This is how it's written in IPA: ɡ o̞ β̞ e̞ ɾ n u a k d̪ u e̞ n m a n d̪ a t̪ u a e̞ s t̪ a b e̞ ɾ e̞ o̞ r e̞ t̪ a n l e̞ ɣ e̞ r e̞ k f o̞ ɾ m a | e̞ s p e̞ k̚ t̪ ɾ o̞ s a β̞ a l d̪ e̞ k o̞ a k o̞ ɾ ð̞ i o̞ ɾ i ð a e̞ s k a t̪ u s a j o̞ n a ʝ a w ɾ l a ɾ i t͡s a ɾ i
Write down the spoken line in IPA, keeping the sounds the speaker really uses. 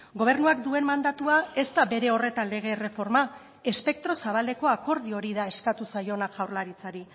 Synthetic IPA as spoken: ɡ o̞ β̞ e̞ ɾ n u a k d̪ u e̞ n m a n d̪ a t̪ u a e̞ s t̪ a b e̞ ɾ e̞ o̞ r e̞ t̪ a n l e̞ ɣ e̞ r e̞ f o̞ ɾ m a | e̞ s p e̞ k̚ t̪ ɾ o̞ s a β̞ a l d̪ e̞ k o̞ a k o̞ ɾ ð̞ i o̞ ɾ i ð a e̞ s k a t̪ u s a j o̞ n a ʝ a w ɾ l a ɾ i t͡s a ɾ i